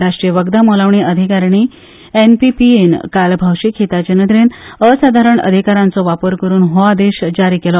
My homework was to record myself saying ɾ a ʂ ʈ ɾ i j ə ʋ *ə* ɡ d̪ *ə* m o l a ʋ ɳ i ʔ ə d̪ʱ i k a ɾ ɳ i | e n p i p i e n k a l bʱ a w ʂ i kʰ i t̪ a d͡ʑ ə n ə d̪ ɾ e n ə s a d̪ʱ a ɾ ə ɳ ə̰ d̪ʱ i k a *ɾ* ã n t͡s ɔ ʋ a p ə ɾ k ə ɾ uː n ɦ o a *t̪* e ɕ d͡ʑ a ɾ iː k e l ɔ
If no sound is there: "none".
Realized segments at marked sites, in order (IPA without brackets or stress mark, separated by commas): ə, a, ɾ, d̪